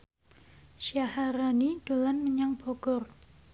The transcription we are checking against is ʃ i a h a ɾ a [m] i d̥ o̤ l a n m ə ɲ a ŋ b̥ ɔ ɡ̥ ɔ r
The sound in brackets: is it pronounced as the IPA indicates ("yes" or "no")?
no